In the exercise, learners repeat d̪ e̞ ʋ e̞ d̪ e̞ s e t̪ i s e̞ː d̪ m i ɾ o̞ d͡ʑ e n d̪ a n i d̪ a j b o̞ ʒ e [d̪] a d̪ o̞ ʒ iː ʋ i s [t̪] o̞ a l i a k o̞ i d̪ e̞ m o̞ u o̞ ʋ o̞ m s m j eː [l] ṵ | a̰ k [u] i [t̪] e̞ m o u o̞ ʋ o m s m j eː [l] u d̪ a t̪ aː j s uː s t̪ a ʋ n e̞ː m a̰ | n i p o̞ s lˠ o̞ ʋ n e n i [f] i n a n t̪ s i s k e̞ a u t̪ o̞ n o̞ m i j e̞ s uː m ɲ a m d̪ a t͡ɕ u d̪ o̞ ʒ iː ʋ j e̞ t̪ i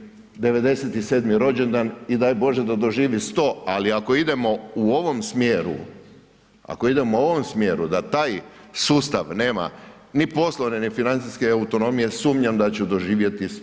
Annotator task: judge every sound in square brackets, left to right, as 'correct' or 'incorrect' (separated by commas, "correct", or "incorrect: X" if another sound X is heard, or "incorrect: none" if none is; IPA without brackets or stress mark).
correct, correct, incorrect: ɾ, incorrect: o, incorrect: d̪, incorrect: ɾ, correct